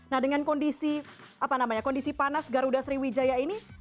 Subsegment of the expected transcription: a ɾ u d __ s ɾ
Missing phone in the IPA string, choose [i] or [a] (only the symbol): a